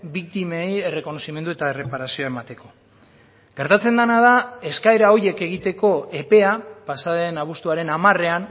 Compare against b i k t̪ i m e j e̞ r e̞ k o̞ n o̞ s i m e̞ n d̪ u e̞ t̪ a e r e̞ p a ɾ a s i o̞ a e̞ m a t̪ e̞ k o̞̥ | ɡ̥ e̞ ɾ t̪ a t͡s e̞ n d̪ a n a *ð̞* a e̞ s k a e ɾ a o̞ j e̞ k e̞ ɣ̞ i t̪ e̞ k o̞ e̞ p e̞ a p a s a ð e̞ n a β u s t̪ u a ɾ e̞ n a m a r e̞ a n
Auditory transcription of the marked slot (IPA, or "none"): ð̞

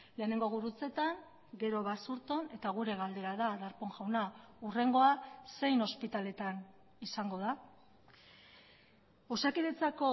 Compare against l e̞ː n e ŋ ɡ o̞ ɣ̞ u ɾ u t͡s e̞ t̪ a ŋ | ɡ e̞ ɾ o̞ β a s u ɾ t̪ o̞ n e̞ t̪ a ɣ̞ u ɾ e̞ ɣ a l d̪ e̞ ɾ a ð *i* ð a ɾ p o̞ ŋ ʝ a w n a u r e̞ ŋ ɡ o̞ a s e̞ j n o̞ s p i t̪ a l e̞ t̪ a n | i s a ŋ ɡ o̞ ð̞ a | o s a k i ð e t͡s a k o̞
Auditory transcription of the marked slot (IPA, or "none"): a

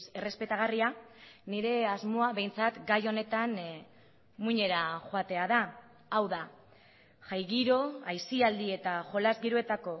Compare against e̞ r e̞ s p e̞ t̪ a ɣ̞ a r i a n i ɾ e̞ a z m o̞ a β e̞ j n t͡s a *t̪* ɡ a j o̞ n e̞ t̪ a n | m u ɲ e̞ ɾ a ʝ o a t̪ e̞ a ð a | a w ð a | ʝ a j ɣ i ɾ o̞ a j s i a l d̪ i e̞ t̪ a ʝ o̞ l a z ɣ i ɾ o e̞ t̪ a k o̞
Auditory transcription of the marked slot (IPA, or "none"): t̪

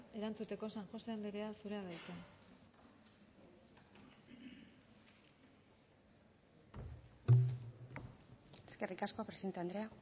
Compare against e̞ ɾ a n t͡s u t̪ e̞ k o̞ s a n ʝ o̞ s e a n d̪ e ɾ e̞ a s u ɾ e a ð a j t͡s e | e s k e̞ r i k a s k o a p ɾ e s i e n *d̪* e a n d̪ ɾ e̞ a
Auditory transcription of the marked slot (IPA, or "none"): t̪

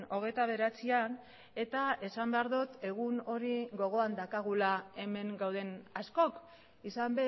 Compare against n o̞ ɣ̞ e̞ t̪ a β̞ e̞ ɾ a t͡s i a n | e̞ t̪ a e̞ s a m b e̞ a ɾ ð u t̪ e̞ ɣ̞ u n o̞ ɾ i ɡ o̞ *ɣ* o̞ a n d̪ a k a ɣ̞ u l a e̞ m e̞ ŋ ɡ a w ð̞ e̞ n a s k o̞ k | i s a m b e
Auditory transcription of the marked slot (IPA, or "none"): ɣ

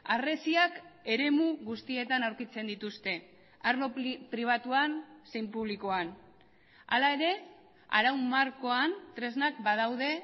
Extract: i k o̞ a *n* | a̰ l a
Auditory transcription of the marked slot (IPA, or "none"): n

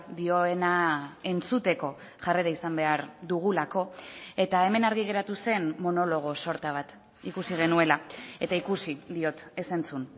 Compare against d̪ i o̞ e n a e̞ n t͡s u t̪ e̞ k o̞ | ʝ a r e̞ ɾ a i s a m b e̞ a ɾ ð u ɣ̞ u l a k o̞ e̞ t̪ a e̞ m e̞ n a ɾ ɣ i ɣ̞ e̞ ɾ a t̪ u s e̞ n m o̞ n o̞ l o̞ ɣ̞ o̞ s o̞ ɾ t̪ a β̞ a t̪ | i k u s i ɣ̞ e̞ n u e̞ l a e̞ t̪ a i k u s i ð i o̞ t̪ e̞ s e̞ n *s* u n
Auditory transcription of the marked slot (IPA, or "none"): t͡s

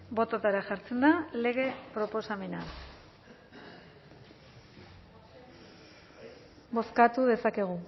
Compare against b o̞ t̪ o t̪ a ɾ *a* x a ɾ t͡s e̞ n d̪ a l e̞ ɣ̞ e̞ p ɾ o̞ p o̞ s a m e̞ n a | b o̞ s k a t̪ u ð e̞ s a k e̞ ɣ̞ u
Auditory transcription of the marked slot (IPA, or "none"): a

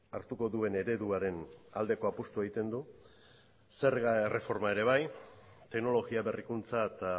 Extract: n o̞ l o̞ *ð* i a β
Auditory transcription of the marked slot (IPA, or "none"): ɣ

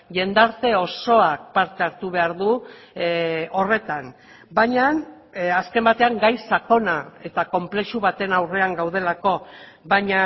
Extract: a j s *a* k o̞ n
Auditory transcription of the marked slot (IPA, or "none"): a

